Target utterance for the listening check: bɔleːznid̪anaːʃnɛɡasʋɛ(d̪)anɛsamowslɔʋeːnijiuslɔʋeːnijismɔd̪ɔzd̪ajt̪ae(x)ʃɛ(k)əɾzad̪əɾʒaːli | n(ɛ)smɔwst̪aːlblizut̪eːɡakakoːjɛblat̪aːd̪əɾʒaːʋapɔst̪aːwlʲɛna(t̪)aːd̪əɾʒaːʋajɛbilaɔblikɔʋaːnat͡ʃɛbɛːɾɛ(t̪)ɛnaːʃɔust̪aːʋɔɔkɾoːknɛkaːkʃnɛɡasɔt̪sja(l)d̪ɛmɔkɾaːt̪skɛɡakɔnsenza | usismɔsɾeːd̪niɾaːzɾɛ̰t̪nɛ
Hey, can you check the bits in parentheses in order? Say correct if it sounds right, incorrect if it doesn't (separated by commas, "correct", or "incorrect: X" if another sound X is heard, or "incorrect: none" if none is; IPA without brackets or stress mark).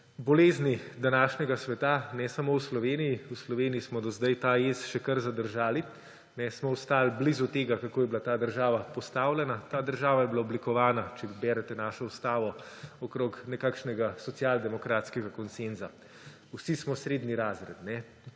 incorrect: t̪, incorrect: s, correct, correct, correct, correct, correct